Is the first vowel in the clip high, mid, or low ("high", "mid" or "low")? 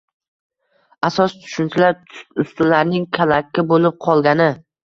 low